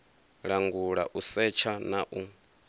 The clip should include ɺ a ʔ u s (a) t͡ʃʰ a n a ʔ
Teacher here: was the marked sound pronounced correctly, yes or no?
no